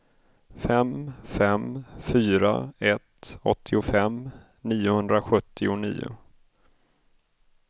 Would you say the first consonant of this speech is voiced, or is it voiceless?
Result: voiceless